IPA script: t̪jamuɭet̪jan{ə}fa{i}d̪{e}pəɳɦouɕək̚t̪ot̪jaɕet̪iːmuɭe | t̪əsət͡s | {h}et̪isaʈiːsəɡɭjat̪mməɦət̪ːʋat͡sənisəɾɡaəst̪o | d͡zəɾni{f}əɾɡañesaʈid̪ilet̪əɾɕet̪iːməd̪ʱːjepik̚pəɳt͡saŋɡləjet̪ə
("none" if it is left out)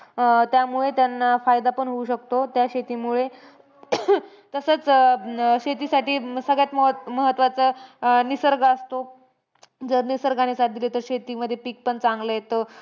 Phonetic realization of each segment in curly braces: a, j, a, ɕ, s

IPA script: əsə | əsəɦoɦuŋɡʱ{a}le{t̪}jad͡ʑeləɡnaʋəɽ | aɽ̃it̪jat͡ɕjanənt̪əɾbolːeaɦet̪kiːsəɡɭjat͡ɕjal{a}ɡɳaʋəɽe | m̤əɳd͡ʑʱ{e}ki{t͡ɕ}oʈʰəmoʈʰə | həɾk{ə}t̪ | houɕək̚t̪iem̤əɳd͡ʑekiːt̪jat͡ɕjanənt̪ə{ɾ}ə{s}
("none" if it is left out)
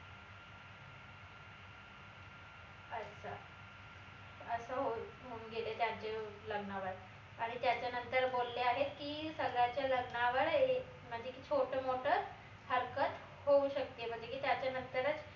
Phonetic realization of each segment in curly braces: e, t̪, ə, e, t͡ɕʰ, ə, ɾ, t͡s

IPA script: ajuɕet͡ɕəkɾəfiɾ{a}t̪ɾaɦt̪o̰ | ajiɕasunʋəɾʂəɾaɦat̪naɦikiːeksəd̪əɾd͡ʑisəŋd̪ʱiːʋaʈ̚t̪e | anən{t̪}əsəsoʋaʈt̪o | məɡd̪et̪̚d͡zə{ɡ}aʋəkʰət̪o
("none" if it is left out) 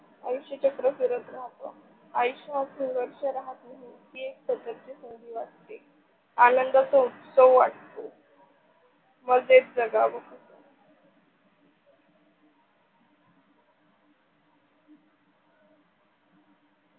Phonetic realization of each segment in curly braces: ə, d̪, ɡ

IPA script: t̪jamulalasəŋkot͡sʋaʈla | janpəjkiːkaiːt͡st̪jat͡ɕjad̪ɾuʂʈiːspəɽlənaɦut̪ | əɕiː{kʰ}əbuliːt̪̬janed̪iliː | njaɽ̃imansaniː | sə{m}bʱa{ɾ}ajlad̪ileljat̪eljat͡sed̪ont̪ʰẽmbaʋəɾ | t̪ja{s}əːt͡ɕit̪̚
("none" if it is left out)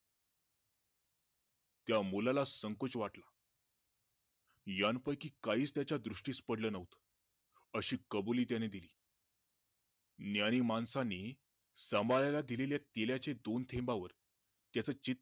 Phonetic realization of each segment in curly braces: k, m, l, t͡s

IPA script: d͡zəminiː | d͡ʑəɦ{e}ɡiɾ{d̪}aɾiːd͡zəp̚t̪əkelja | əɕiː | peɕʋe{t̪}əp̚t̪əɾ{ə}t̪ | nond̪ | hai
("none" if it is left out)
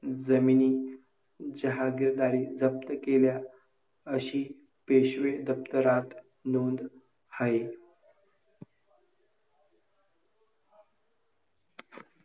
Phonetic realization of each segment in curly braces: a, d̪, d̪, a

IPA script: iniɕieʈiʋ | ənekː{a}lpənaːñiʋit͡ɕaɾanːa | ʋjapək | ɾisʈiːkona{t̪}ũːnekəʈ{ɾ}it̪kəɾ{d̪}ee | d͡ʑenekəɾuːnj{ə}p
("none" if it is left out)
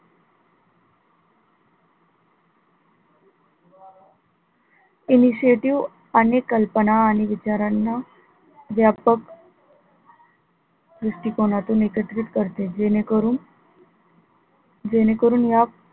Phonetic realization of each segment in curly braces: ə, t̪, ɾ, t̪, a

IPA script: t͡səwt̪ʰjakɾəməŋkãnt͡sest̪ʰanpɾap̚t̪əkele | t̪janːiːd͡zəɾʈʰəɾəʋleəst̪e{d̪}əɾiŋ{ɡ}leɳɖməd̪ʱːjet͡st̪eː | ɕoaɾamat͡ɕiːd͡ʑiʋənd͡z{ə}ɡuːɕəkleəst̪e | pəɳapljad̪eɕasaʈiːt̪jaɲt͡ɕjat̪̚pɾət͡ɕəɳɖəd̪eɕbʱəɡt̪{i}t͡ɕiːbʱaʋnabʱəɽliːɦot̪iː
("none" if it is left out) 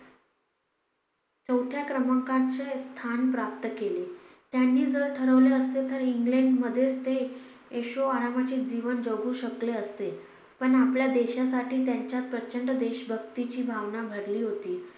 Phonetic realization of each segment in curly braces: t̪, ɡ, ə, i

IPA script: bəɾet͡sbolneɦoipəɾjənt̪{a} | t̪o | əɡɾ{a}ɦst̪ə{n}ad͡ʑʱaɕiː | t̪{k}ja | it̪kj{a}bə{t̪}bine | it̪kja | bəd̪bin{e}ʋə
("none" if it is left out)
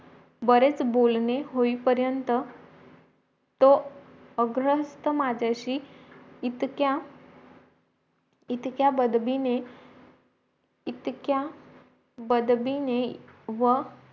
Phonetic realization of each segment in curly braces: ə, ə, m, k, a, d̪, e

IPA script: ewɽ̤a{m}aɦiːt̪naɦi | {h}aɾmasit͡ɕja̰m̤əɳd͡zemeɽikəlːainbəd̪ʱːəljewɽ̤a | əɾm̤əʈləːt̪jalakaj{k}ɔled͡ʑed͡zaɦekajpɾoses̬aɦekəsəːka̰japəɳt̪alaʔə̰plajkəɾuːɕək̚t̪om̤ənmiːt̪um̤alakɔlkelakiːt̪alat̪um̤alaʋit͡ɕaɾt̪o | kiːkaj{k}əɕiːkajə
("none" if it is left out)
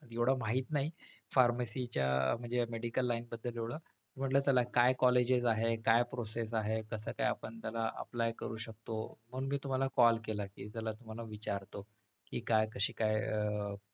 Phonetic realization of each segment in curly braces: m, f, k, k

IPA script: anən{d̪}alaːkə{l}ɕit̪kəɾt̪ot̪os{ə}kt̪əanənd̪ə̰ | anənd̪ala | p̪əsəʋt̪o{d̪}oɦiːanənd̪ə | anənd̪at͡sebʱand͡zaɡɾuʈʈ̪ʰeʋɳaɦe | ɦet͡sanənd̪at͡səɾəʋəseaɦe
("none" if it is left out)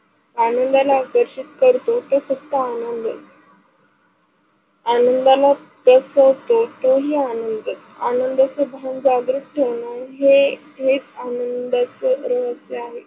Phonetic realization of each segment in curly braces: d̪, ɾ, ə, t̪

